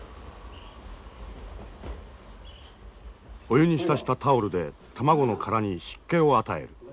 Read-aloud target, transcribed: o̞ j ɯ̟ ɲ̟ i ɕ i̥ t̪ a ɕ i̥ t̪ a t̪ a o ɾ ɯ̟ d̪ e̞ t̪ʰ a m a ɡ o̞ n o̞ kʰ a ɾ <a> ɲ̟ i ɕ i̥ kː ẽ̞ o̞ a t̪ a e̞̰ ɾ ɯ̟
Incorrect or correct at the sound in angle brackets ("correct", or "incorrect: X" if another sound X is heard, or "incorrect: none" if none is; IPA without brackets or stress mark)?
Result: correct